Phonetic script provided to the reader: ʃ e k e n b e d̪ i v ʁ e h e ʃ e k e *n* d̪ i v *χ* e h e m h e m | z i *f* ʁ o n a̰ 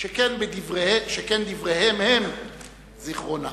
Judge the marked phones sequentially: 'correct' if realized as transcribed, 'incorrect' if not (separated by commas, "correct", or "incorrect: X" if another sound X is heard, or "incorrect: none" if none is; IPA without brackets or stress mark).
correct, incorrect: ʁ, incorrect: χ